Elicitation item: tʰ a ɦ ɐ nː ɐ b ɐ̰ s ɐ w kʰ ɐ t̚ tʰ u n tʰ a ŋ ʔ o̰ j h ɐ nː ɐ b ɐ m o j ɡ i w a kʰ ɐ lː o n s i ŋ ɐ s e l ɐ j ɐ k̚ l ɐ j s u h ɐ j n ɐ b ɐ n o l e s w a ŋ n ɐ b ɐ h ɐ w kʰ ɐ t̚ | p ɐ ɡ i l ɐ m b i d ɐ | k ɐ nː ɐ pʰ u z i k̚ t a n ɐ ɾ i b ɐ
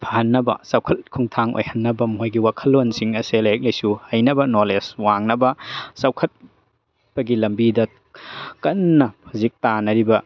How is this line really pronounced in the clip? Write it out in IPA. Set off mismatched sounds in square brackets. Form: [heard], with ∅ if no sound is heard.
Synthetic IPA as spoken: [pʰ] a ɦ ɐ nː ɐ b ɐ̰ s ɐ w kʰ ɐ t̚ [kʰ] u [ŋ] tʰ a ŋ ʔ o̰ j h ɐ nː ɐ b ɐ m o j ɡ i w a kʰ ɐ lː o n s i ŋ ɐ s e l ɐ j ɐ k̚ l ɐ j s u h ɐ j n ɐ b ɐ n o l e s w a ŋ n ɐ b ɐ [s] ɐ w kʰ ɐ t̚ | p ɐ ɡ i l ɐ m b i d ɐ | k ɐ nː ɐ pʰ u z i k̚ t a n ɐ ɾ i b ɐ